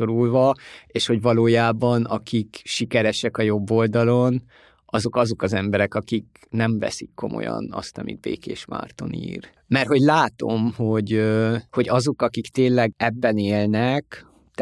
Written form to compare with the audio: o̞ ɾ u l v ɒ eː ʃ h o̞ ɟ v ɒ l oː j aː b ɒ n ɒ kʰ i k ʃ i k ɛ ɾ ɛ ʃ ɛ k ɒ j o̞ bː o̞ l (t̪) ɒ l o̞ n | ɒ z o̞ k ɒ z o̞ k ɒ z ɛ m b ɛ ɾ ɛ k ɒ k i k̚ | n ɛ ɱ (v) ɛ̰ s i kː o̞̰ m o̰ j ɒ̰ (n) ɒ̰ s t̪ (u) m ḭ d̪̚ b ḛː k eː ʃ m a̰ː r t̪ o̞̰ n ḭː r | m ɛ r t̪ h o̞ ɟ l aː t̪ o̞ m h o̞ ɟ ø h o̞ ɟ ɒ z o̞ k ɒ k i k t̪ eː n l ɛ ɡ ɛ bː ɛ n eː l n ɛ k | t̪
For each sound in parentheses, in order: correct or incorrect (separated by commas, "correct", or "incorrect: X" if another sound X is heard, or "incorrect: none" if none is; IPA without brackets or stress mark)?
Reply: incorrect: d̪, correct, correct, incorrect: ɒ